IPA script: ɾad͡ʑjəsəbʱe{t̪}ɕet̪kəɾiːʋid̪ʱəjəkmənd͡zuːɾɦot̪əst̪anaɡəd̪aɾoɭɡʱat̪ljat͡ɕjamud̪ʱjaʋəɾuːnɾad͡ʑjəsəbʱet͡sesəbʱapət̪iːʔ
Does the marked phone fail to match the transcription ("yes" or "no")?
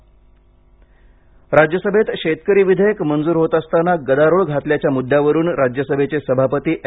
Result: no